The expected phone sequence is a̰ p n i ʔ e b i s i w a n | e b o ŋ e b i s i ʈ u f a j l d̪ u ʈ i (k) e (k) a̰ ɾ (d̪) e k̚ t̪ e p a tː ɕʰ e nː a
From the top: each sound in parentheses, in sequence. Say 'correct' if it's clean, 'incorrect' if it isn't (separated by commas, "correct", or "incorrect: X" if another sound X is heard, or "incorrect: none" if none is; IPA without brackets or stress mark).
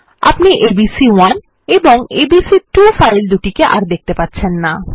correct, incorrect: ʔ, correct